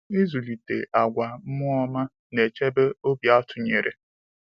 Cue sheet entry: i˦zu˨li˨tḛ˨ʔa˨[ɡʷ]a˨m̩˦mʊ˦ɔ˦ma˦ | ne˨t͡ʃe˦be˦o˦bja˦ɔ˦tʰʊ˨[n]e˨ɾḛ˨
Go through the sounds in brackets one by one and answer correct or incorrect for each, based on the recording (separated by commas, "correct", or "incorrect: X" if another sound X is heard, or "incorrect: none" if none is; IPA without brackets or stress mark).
correct, incorrect: ɲ